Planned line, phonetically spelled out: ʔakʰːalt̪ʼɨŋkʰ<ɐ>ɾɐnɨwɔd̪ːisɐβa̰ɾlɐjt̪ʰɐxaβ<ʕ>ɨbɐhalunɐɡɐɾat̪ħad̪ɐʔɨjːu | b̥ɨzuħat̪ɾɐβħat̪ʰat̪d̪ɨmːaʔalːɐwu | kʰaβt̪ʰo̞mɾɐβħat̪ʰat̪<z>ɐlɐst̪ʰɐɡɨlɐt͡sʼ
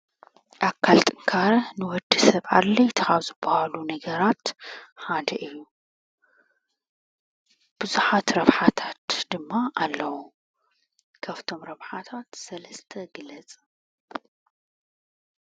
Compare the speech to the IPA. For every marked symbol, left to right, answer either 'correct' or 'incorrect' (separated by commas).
incorrect, incorrect, incorrect